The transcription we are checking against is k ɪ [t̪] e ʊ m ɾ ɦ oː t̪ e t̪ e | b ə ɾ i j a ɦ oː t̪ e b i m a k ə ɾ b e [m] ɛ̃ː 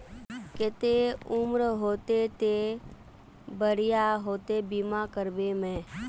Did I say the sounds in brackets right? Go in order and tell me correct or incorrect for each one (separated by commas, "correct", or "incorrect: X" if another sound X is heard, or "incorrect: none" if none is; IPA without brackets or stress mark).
correct, correct